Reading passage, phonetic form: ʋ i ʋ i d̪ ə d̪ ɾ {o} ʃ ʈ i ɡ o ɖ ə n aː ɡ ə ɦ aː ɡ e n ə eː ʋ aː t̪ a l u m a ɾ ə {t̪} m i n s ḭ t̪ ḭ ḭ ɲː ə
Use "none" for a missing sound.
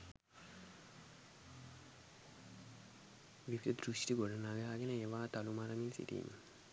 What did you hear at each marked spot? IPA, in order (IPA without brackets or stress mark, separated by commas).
u, none